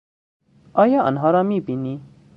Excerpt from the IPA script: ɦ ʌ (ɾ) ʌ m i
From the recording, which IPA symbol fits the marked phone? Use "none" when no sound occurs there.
ɾ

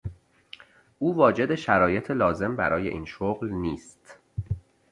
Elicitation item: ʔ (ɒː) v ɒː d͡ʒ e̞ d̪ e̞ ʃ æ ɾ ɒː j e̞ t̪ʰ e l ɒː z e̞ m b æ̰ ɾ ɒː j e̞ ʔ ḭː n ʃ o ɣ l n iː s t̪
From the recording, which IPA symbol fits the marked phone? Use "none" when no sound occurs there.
uː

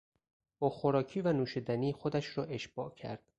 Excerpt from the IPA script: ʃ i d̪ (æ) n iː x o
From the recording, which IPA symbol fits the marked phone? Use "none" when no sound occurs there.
æ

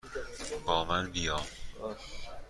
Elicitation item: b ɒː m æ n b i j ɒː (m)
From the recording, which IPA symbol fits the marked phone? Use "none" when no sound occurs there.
m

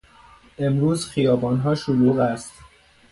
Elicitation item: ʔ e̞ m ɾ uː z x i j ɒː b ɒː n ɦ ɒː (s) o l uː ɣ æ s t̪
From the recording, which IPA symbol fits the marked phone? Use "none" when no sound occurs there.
ʃ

